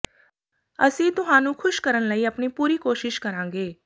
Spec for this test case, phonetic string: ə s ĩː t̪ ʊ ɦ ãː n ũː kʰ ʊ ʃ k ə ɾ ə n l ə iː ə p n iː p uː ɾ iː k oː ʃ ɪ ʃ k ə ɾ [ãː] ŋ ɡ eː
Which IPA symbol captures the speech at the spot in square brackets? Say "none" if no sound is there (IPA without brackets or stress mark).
ãː